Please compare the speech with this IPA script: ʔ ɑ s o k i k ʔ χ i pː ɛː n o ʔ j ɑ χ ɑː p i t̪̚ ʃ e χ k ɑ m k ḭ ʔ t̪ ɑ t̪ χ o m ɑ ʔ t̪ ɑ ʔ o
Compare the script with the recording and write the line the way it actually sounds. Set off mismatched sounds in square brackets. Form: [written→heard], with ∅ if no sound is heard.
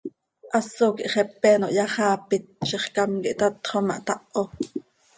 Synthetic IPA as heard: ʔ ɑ s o k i [k→∅] ʔ χ [i→ɛ] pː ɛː n o ʔ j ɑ χ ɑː p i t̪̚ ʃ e χ k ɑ m k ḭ ʔ t̪ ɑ t̪ χ o m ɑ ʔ t̪ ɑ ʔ o